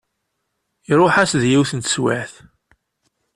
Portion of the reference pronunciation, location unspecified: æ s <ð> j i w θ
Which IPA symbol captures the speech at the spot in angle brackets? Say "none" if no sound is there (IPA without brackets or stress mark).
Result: ð